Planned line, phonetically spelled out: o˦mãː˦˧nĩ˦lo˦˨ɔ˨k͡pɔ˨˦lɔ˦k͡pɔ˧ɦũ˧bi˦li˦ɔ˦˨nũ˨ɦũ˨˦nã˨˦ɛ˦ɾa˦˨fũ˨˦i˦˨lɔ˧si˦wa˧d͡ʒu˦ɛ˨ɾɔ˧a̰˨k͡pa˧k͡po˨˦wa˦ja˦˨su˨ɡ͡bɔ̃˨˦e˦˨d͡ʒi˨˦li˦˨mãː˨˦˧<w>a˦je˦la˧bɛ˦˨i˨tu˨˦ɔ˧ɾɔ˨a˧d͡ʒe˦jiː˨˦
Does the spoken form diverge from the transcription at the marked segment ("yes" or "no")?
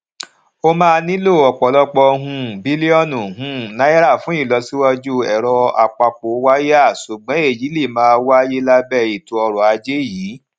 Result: no